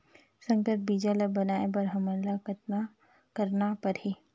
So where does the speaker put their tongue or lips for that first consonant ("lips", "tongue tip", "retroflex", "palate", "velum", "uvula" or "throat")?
tongue tip